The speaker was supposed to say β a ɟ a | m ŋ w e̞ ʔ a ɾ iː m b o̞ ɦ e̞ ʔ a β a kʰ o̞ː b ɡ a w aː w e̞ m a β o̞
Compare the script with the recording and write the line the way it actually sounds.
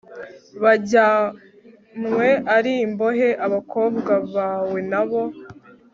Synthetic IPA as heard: β a ɟ a | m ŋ w e̞ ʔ a ɾ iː m b o̞ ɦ e̞ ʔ a β a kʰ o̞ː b ɡ a β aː w e̞ n a β o̞

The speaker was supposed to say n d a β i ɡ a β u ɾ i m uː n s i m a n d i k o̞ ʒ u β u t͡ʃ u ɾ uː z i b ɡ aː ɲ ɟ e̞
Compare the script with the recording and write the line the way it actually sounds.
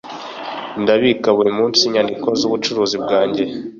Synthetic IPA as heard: n d a β i k a β u ɾ i m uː n s i ɲ a n d i k o̞ z u β u t͡ʃ u ɾ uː z i b ɡ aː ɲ ɟ e̞

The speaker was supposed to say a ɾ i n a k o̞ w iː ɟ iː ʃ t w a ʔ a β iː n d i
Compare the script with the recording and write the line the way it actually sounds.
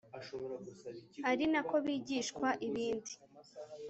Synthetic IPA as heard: a ɾ i n a k o̞ β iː ɟ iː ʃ k w a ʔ i β iː n d i

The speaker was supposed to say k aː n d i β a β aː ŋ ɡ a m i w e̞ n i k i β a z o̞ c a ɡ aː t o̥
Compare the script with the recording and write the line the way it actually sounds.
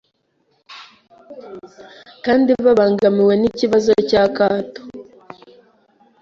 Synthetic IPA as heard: k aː n d i β a β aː ŋ ɡ a m i w e̞ n i c i β a z o̞ c a k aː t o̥

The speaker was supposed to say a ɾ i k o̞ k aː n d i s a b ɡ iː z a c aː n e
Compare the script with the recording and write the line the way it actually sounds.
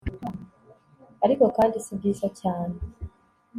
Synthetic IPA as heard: a ɾ i k o̞ k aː n d i s i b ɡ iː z a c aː n e

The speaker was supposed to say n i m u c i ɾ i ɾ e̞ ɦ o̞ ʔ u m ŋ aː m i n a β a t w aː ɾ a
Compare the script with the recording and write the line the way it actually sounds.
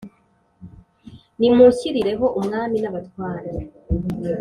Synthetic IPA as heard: n i m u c i ɾ i ɾ e̞ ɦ o̞ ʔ u m ŋ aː m i n a β a t w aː ɾ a

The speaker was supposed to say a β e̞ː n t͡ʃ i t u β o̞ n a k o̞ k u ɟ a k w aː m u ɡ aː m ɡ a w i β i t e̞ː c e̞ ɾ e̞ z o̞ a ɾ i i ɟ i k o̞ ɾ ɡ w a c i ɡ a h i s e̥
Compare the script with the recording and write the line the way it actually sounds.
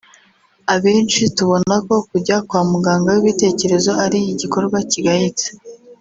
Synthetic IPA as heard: a β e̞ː n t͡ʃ i t u β o̞ n a k o̞ k u ɟ a k w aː m u ɡ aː ŋ ɡ a w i β i t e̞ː c e̞ ɾ e̞ z o̞ a ɾ i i ɟ i k o̞ ɾ ɡ w a c i ɡ a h i t͡s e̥

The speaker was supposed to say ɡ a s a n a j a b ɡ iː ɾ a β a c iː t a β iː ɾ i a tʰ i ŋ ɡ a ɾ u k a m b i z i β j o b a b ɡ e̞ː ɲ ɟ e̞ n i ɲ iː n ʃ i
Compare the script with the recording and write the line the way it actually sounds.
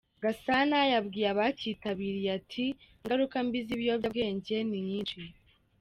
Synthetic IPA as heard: ɡ a s a n a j a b ɡ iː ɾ a β a c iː t a β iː ɾ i a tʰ i ŋ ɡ a ɾ u k a m b i z i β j o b a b ɡ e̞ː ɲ ɟ e̞ n i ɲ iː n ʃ i

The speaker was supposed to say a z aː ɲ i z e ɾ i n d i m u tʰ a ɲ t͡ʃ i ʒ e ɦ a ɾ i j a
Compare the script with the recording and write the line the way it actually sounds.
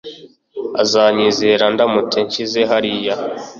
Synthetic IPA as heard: a z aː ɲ i z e ɾ a n d a m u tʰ e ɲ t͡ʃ i z e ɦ a ɾ i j a

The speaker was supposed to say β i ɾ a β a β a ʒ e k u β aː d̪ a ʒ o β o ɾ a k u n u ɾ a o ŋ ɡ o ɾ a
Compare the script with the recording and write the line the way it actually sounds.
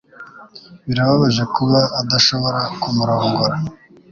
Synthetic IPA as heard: β i ɾ a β a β a ʒ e k u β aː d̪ a ʃ o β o ɾ a k u m u ɾ a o ŋ ɡ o ɾ a

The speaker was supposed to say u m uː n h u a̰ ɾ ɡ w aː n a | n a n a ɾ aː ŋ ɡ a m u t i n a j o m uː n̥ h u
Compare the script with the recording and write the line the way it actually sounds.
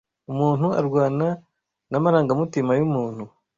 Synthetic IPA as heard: u m uː n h u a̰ ɾ ɡ w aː n a | n a m a ɾ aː ŋ ɡ a m u t i m a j u m uː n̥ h u

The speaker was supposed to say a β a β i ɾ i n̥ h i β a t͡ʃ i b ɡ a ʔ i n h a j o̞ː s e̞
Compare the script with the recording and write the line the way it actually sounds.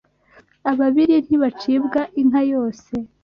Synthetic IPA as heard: a β a β i ɾ i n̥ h i β a t͡ʃ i b ɡ a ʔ i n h a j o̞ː s e̞

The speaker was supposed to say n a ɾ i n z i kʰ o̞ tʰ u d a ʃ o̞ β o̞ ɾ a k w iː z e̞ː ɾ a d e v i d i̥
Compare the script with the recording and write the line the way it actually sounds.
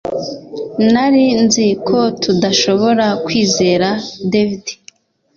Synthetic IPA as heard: n a ɾ i n z i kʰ o̞ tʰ u d a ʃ o̞ β o̞ ɾ a k w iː z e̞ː ɾ a d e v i d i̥

